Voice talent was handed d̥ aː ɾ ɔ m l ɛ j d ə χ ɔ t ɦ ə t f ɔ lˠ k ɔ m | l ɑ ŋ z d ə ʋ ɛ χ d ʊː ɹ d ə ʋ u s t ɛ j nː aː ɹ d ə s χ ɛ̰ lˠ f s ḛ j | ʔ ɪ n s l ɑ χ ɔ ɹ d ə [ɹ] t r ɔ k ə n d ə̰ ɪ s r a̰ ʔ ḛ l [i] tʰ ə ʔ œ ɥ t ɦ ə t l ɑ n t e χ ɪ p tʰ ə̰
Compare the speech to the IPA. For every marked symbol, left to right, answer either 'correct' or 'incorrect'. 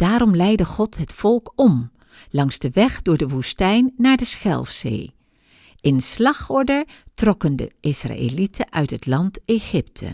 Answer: correct, correct

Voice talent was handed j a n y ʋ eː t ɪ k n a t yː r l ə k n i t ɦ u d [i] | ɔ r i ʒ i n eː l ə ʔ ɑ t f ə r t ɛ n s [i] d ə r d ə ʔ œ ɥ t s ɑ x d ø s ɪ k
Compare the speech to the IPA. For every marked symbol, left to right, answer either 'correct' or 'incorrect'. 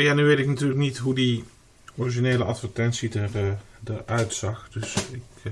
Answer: correct, correct

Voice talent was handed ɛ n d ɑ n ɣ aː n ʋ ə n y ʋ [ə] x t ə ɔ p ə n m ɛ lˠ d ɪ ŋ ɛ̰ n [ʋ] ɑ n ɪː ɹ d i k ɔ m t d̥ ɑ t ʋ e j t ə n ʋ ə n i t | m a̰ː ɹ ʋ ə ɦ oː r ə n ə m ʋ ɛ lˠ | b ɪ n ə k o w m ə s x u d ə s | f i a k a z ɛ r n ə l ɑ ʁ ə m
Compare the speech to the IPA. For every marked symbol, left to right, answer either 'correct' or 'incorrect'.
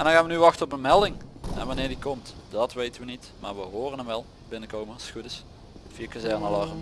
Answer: incorrect: ɑ, correct

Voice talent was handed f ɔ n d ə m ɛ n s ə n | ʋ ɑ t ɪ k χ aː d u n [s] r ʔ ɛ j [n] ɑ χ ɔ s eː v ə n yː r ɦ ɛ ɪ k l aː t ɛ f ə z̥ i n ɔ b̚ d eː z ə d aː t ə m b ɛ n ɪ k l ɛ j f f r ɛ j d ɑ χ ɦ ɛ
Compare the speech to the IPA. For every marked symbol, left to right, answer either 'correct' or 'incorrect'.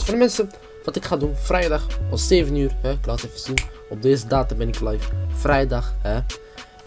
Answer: incorrect: f, incorrect: d

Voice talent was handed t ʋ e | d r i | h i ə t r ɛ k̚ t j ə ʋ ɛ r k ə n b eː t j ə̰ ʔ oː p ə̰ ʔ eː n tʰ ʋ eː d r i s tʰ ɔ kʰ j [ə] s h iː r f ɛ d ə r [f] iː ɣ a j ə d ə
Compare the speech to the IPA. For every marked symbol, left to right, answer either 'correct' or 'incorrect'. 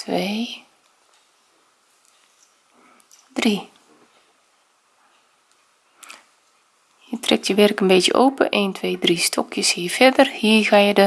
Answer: correct, incorrect: h

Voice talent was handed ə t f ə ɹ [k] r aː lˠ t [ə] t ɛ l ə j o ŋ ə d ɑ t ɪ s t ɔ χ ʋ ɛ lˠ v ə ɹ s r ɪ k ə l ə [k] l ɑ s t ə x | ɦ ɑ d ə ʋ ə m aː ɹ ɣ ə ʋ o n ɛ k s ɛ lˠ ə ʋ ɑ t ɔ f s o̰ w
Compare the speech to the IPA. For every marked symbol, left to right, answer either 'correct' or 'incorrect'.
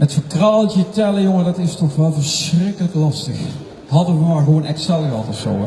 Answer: correct, correct, correct

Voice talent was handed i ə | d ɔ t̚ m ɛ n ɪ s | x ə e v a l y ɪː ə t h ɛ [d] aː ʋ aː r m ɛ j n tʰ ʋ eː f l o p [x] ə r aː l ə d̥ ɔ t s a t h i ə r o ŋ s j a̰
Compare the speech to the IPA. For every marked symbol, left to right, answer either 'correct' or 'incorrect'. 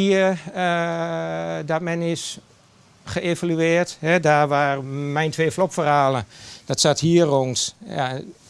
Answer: correct, incorrect: f

